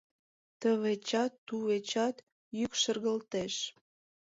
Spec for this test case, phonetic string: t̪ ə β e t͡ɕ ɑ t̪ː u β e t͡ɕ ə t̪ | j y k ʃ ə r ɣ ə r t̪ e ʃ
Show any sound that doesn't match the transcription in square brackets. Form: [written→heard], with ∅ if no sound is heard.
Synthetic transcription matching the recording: t̪ ə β e t͡ɕ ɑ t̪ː u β e t͡ɕ [ə→ɑ] t̪ | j y k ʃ ə r ɣ ə [r→l] t̪ e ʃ